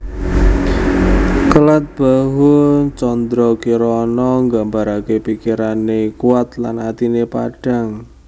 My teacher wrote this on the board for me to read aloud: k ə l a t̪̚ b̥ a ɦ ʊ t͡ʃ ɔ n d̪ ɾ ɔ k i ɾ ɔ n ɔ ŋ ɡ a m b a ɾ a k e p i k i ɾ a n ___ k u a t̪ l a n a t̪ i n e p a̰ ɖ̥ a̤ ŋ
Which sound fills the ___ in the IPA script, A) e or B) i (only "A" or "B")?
A